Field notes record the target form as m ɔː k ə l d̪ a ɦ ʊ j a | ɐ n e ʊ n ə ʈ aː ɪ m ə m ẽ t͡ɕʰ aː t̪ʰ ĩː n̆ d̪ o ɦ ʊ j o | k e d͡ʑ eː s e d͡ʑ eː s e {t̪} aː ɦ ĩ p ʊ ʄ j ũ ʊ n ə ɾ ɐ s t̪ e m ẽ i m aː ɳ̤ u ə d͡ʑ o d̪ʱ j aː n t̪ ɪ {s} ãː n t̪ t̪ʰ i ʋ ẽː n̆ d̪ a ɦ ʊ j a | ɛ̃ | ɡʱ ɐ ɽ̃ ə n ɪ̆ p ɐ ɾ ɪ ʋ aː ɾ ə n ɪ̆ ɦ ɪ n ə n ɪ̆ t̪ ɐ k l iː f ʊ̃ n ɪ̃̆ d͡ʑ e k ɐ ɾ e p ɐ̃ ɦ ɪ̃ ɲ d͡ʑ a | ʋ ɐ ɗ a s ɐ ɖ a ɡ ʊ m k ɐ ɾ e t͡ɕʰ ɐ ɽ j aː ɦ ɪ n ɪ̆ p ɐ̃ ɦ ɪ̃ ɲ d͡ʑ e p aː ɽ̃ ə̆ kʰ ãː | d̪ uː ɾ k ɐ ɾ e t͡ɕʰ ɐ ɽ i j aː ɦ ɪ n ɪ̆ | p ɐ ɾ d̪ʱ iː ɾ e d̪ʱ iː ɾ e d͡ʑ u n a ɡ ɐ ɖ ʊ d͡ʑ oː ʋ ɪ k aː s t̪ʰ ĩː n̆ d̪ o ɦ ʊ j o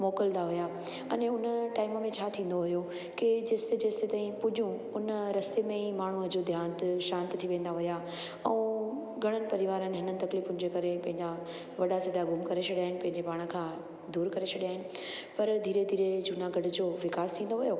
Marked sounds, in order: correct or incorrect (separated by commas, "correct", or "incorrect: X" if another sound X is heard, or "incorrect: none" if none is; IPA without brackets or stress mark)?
correct, incorrect: ʃ